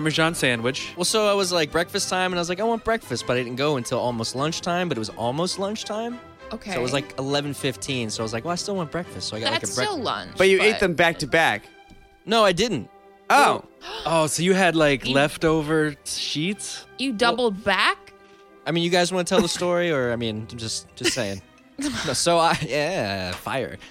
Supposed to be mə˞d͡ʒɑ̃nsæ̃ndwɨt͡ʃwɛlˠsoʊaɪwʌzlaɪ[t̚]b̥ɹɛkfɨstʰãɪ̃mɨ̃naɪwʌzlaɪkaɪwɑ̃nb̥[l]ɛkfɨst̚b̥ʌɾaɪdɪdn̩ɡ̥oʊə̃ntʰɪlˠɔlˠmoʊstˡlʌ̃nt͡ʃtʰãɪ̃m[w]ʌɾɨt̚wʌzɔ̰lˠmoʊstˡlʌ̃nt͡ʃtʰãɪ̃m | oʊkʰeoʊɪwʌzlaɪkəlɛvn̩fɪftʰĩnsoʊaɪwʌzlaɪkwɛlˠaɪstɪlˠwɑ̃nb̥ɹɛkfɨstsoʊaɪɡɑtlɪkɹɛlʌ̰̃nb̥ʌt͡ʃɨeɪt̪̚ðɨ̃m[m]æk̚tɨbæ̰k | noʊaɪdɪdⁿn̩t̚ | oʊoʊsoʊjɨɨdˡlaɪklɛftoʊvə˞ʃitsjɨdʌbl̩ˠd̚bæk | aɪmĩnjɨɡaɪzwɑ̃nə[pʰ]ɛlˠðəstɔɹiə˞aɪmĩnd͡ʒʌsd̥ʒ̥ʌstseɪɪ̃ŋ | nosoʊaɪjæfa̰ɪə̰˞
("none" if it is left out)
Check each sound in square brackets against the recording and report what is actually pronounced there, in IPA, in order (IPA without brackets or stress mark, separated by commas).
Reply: k̚, ɹ, b, b, tʰ